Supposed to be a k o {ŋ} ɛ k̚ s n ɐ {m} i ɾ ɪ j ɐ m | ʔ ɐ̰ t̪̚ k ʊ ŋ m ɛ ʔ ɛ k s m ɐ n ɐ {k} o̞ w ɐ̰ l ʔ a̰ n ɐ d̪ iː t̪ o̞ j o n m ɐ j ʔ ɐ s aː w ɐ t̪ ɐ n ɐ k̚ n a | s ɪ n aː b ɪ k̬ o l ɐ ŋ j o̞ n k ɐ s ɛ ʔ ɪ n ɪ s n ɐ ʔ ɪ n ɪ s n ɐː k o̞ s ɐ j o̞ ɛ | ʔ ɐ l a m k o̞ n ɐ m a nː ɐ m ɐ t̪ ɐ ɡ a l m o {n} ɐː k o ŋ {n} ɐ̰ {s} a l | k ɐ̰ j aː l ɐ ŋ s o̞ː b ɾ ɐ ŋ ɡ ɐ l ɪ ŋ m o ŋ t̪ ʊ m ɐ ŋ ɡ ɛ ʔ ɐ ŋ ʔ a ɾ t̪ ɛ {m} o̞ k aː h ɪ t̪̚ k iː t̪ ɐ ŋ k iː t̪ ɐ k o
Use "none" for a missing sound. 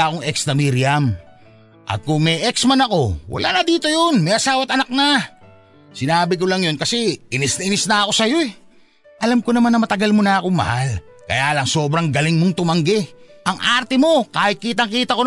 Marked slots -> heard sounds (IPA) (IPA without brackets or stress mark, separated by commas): ŋ, m, k, n, m, h, m